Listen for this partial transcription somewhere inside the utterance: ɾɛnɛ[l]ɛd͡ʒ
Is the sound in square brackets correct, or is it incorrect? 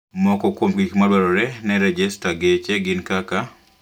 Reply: incorrect: ɾ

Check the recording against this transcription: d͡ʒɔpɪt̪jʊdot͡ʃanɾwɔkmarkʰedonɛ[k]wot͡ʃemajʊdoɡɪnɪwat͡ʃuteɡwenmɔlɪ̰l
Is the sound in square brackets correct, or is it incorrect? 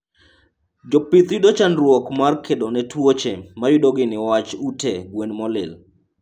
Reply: incorrect: t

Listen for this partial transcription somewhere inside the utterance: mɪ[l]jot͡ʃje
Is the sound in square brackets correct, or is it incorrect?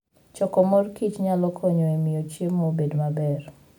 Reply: incorrect: none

